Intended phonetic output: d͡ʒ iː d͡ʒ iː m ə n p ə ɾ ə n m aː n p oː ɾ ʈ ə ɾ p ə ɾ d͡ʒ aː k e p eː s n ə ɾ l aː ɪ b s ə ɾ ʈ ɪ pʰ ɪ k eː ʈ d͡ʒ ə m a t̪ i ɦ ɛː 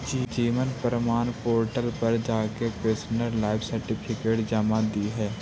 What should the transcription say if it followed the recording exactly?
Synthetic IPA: d͡ʒ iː d͡ʒ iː m ə n p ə ɾ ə m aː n p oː ɾ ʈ ə l p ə ɾ d͡ʒ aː k e p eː s n ə ɾ l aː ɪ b s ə ɾ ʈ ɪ pʰ ɪ k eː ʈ d͡ʒ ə m a d̪ i ɦ ɛː